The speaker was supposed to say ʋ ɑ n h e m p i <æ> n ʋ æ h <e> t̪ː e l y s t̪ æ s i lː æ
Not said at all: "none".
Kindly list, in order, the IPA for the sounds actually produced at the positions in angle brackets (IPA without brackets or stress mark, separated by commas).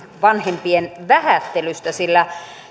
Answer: e, æ